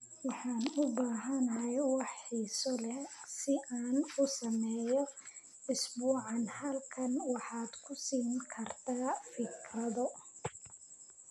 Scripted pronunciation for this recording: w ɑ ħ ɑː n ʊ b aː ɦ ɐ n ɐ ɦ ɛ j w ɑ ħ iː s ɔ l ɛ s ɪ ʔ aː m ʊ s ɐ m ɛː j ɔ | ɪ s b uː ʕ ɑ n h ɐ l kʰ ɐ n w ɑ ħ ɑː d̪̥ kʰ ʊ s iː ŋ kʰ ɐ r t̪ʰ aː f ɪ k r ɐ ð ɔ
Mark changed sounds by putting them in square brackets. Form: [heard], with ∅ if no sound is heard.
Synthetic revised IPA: w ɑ ħ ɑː n ʊ b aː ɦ ɐ n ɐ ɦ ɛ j w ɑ ħ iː s ɔ l ɛ s ɪ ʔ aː [n] ʊ s ɐ m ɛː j ɔ | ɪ s b uː ʕ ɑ n h ɐ l kʰ ɐ n w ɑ ħ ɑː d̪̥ kʰ ʊ s iː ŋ kʰ ɐ r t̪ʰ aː f ɪ k r ɐ ð ɔ